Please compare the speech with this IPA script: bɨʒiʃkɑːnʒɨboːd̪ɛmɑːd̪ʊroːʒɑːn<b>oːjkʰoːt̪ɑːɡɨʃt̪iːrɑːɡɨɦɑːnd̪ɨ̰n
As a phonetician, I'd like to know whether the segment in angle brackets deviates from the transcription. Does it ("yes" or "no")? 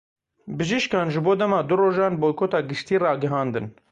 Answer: no